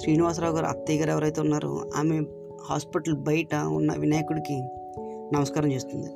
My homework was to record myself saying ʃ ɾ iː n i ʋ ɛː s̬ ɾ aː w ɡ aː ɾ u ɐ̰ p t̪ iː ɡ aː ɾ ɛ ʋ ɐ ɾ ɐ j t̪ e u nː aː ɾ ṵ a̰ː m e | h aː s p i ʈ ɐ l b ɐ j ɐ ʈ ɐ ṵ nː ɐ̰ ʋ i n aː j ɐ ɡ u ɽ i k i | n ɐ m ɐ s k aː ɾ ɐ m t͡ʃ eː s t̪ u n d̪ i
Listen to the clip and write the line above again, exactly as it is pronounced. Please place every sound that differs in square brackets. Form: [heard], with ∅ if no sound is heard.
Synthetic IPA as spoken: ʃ ɾ iː n i ʋ [aː] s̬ ɾ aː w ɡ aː ɾ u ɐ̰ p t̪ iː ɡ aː ɾ ɛ ʋ ɐ ɾ ɐ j t̪ e u nː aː ɾ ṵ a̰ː m e | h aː s p i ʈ ɐ l b ɐ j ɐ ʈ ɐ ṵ nː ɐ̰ ʋ i n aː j ɐ [k] u ɽ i k i | n ɐ m ɐ s k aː ɾ ɐ m t͡ʃ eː s t̪ u n d̪ i